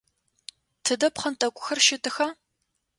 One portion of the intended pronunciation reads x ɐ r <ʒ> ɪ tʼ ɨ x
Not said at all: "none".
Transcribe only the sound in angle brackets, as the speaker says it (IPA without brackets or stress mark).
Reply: ʃ